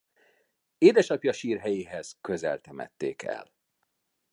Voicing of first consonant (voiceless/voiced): voiced